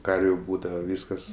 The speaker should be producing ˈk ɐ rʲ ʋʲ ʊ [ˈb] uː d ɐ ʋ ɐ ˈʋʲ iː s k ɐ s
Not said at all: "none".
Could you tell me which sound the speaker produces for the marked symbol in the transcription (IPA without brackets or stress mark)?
b